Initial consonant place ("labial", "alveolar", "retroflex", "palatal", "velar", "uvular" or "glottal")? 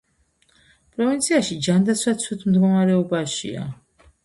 labial